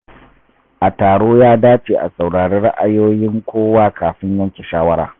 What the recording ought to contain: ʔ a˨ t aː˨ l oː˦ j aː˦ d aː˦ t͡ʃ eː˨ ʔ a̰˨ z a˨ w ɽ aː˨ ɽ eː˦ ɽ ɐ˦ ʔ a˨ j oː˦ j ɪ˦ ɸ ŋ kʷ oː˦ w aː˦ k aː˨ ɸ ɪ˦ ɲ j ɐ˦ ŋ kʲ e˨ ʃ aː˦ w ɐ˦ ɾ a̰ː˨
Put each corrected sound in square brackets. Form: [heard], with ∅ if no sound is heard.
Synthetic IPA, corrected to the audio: ʔ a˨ t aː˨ [ɽ] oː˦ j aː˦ d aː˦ t͡ʃ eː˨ ʔ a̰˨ [s] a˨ w ɽ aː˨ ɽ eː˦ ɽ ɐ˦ ʔ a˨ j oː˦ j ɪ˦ [∅] ŋ kʷ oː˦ w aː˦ k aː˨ ɸ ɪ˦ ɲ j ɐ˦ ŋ kʲ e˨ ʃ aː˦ w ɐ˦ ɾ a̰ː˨